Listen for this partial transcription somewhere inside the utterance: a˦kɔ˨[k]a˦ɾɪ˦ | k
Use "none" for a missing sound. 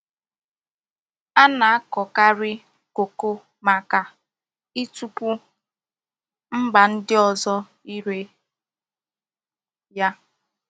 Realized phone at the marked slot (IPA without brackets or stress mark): k